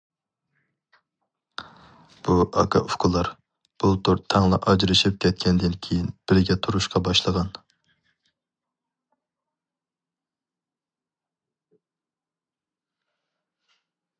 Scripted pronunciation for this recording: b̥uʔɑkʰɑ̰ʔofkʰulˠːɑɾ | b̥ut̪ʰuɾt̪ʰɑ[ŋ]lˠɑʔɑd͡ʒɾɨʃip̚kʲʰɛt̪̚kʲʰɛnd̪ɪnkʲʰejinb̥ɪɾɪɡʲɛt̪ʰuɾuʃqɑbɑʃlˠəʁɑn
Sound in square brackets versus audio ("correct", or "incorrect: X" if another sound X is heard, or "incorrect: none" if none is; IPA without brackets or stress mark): correct